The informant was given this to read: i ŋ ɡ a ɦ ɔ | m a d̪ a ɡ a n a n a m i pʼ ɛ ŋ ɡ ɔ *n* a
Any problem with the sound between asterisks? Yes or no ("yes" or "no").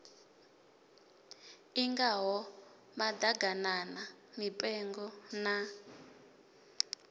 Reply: no